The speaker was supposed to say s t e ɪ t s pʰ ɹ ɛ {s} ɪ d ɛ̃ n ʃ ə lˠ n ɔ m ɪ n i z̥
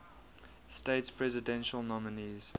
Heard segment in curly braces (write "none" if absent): z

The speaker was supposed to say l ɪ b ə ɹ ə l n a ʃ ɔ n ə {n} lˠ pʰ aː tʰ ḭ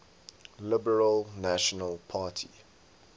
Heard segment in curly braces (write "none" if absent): none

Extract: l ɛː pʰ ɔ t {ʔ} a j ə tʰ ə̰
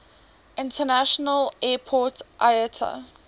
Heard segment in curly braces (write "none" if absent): ʔ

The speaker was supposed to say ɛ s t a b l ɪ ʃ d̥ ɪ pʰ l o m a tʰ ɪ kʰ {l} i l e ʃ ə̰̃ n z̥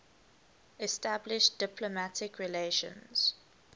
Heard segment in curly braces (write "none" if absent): ɹ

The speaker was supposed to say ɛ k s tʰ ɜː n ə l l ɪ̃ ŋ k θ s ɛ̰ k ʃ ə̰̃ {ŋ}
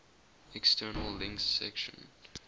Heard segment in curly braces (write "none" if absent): n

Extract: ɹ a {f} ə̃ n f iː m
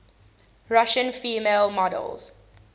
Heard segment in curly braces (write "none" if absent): ʃ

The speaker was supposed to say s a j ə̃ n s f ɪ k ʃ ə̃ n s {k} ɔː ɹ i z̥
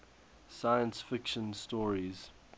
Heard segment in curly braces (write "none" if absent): t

